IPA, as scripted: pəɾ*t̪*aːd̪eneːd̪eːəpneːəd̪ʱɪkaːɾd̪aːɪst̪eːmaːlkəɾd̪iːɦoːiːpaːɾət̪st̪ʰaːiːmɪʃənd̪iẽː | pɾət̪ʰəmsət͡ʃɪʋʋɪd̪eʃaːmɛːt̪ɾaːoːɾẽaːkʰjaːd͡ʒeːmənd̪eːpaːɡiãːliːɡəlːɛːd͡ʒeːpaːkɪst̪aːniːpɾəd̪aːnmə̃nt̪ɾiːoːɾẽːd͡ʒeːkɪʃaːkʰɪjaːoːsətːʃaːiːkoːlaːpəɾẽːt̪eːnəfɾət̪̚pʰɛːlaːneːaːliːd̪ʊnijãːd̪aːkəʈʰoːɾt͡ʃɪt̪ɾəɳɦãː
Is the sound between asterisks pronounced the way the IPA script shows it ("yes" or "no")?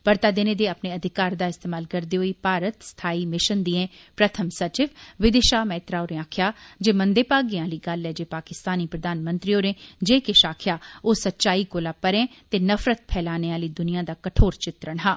yes